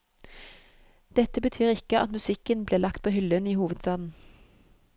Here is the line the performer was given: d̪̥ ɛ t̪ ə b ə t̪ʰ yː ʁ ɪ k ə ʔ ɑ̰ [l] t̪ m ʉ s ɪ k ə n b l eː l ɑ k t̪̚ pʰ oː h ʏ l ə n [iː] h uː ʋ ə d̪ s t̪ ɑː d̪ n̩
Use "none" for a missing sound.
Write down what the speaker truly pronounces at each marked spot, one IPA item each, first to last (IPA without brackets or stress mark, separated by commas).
none, iː